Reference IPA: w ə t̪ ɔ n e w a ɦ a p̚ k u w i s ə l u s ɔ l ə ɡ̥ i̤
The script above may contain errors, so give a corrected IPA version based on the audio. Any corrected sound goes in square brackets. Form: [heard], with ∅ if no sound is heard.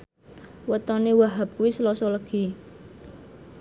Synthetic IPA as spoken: w ə t̪ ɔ n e w a ɦ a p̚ k u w i s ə l [ɔ] s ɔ l ə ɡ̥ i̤